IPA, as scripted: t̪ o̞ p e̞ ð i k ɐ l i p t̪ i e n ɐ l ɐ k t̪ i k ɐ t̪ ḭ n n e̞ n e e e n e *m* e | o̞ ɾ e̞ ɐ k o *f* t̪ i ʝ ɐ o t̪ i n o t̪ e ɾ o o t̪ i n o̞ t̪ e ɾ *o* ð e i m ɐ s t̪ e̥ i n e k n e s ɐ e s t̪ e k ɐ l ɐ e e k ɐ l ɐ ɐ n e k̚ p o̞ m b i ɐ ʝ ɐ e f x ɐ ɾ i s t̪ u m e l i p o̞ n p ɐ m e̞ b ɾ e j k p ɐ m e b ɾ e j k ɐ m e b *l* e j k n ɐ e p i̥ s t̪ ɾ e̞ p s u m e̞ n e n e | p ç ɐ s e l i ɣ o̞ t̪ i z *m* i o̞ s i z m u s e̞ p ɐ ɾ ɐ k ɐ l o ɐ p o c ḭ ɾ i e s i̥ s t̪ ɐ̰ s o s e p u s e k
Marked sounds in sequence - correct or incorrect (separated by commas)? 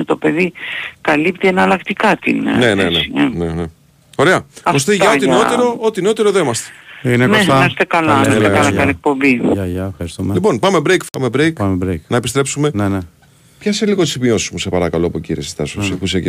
incorrect, incorrect, correct, incorrect, correct